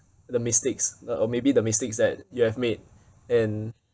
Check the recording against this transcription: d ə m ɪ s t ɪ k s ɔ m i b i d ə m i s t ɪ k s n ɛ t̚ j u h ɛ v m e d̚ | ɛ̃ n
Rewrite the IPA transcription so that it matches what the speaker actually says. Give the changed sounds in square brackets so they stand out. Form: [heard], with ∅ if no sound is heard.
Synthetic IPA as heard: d ə m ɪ s t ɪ k s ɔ m [e] b i d ə m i s t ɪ k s [d] ɛ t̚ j u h ɛ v m e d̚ | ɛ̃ n